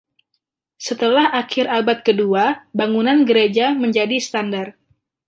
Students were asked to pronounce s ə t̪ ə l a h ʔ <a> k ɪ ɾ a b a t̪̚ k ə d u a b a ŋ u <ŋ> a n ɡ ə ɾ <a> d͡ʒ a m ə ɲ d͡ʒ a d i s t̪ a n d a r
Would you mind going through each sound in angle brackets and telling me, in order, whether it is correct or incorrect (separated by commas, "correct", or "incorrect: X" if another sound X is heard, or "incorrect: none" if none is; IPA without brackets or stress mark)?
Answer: correct, incorrect: n, incorrect: e